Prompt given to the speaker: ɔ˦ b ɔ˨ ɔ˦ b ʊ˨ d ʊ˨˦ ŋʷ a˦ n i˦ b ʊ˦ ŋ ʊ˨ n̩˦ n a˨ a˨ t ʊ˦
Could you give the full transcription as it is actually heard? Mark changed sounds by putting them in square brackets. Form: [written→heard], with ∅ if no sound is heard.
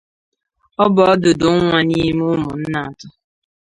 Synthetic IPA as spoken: ɔ˦ b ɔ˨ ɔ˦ [b→d] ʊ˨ d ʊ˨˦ ŋʷ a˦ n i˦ [b→m] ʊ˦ [ŋ→m] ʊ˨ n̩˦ n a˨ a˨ t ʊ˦